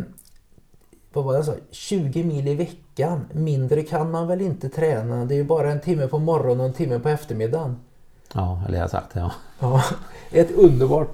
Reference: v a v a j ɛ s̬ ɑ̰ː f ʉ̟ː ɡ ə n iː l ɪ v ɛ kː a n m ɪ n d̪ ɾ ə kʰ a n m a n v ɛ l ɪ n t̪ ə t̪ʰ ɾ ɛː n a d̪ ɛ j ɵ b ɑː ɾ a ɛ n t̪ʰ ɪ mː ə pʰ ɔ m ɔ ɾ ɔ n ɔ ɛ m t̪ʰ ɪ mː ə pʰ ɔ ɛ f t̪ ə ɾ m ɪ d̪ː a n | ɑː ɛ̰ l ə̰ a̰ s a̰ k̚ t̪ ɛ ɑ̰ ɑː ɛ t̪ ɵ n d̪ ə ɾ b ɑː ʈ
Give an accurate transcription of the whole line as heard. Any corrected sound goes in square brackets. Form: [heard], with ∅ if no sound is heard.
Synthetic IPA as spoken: v a v a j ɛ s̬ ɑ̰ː [ɕ] ʉ̟ː ɡ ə [m] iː l ɪ v ɛ kː a n m ɪ n d̪ ɾ ə kʰ a n m a n v ɛ l ɪ n t̪ ə t̪ʰ ɾ ɛː n a d̪ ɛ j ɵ b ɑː ɾ a ɛ n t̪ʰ ɪ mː ə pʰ ɔ m ɔ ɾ ɔ n ɔ ɛ [n] t̪ʰ ɪ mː ə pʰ ɔ ɛ f t̪ ə ɾ m ɪ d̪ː a n | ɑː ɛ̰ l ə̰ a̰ s a̰ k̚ t̪ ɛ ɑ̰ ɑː ɛ t̪ ɵ n d̪ ə ɾ b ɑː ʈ